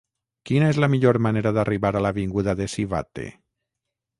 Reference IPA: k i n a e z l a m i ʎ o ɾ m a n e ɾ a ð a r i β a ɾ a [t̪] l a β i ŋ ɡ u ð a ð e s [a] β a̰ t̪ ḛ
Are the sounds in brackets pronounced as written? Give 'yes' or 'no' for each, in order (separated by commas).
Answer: no, no